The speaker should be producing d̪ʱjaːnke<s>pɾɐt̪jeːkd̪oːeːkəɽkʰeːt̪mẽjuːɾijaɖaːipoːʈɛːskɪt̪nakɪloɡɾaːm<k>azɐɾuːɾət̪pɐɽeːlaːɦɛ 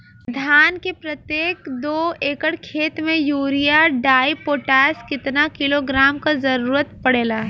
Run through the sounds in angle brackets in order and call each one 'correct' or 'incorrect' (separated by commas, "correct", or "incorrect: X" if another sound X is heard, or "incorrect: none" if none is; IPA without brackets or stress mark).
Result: incorrect: none, correct